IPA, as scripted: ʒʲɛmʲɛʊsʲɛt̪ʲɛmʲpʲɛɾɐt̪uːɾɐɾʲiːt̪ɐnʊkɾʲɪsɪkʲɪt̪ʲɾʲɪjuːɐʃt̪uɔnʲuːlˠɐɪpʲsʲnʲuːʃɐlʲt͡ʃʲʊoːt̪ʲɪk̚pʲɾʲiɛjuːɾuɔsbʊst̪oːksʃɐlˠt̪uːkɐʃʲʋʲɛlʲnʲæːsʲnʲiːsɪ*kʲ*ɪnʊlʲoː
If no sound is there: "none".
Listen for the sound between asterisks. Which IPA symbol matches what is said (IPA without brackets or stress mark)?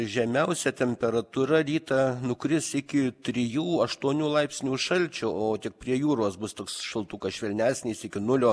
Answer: kʲ